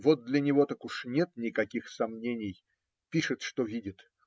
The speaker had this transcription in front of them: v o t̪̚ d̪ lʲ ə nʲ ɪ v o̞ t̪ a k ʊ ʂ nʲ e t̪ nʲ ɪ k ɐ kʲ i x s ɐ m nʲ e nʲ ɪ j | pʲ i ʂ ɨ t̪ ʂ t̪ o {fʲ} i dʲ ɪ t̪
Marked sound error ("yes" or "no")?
yes